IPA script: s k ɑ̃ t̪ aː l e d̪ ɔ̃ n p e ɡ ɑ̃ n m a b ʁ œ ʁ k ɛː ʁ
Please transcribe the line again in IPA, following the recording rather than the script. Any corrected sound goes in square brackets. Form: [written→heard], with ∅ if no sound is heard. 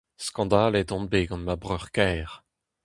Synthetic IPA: s k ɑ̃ [t̪→d̪] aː l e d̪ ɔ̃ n [p→b] e ɡ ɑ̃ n m a b ʁ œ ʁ k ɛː ʁ